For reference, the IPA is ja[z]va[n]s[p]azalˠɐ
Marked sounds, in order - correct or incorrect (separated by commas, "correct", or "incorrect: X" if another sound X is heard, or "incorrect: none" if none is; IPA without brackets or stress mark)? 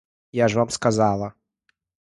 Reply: incorrect: ʐ, incorrect: m, incorrect: k